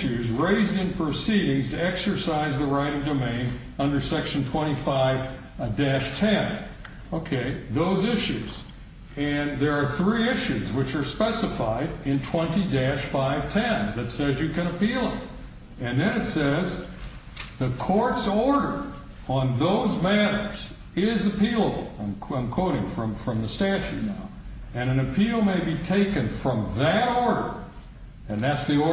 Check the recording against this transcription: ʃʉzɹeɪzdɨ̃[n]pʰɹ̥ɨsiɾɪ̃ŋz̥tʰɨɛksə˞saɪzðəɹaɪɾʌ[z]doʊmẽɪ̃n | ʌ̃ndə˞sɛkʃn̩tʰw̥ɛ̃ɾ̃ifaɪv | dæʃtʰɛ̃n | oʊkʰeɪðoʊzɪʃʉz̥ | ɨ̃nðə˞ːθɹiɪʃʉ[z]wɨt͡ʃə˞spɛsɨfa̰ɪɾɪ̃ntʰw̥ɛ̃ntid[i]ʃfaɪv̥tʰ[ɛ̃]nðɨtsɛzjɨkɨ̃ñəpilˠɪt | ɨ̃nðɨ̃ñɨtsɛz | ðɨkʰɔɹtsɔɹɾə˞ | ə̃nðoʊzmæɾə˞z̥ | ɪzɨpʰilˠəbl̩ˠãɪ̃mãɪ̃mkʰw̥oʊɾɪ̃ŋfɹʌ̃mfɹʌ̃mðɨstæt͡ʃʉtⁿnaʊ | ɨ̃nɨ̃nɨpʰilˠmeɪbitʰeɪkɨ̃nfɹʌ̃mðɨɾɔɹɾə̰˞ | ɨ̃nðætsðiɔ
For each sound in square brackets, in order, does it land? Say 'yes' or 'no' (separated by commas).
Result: yes, no, yes, no, yes